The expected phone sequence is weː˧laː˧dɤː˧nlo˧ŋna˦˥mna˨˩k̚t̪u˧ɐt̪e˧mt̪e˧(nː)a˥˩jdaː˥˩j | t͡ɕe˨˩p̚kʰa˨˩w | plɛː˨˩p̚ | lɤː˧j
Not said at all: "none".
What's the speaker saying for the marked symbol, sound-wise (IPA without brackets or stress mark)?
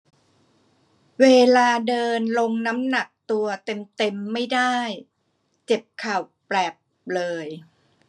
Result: mː